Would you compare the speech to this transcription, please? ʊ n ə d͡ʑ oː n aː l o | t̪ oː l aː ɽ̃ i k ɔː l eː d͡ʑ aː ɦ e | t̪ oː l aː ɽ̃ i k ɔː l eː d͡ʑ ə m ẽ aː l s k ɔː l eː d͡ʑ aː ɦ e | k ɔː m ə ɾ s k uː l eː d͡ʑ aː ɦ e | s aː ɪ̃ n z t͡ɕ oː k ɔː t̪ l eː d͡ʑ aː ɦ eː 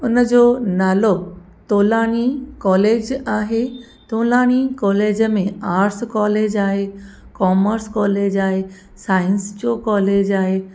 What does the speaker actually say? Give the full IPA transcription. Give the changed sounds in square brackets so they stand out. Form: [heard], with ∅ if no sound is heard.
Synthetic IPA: ʊ n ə d͡ʑ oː n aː l o | t̪ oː l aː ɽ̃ i k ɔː l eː d͡ʑ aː ɦ e | t̪ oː l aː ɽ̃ i k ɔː l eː d͡ʑ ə m ẽ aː [ɾ] s k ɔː l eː d͡ʑ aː ɦ e | k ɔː m ə ɾ s k [ɔː] l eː d͡ʑ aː ɦ e | s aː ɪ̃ n [s] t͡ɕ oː k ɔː [∅] l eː d͡ʑ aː ɦ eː